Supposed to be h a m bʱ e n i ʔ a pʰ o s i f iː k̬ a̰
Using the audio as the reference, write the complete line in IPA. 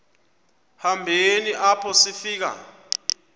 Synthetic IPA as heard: h a m bʱ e n i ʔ a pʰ ɔ s i f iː k̬ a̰